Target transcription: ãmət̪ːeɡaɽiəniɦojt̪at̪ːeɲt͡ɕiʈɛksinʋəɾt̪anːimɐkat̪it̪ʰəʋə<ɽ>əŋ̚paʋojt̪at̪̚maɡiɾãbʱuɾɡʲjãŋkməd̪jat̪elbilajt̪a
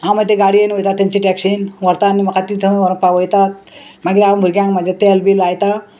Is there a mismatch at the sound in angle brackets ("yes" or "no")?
yes